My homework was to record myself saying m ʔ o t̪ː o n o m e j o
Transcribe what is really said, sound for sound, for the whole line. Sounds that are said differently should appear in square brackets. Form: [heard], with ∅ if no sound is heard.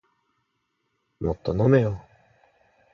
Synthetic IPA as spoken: m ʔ o t̪ː o n o m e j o